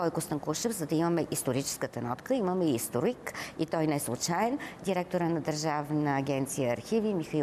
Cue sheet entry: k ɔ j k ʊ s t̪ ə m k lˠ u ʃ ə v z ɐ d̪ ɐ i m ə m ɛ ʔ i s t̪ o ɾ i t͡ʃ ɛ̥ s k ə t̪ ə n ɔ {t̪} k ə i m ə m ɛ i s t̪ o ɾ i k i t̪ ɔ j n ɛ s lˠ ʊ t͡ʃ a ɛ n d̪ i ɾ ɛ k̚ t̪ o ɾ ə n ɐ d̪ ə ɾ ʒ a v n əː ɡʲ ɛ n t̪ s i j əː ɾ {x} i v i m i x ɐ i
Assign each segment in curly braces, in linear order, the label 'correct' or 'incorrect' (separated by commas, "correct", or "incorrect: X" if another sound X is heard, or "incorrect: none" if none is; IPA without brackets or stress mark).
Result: correct, correct